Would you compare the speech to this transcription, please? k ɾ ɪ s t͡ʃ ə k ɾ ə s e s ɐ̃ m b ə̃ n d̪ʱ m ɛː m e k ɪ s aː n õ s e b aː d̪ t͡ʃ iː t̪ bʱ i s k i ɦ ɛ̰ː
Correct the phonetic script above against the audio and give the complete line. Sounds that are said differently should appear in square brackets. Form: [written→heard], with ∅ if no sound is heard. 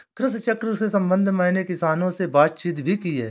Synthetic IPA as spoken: k ɾ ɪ s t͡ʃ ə k ɾ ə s e s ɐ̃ m b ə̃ n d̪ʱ m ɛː [m→n] e k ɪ s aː n õ s e b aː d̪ t͡ʃ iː t̪ bʱ i [s→∅] k i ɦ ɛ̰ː